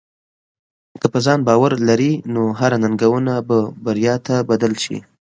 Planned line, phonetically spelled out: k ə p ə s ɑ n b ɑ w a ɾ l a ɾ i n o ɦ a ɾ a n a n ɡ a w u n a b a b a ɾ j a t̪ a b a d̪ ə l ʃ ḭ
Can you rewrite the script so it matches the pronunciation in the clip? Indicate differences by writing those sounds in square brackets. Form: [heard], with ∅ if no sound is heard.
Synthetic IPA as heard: k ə p ə [z] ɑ n b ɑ w a ɾ l a ɾ i n o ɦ a ɾ a n a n ɡ a w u n a b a b a ɾ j [ɑ] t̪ a b a d̪ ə l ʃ ḭ